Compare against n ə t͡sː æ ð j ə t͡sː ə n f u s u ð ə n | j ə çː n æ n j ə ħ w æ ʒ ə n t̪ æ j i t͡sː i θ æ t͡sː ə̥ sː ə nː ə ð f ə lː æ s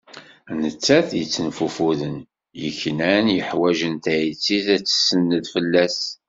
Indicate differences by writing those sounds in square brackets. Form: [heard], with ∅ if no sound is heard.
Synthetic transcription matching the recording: n ə t͡sː æ [θ] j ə t͡sː ə n f u [f] u ð ə n | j ə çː n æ n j ə ħ w æ ʒ ə n t̪ æ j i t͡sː i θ æ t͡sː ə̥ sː ə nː ə ð f ə lː æ s